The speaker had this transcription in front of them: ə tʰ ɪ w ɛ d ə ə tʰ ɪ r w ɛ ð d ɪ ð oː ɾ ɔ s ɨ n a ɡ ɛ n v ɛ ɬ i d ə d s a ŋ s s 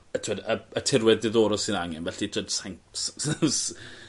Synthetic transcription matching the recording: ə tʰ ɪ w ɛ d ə ə tʰ ɪ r w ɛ ð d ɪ ð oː ɾ ɔ s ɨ n a ŋ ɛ n v ɛ ɬ i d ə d s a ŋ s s